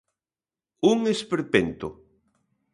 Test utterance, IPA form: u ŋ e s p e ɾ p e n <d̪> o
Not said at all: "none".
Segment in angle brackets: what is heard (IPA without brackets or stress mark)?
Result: t̪